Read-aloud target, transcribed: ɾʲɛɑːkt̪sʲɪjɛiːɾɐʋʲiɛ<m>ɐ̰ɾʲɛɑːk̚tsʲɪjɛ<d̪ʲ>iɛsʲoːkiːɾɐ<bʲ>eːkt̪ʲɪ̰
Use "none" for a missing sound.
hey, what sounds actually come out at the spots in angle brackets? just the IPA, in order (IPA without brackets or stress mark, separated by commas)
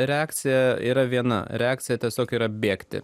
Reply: n, t̪ʲ, bʲ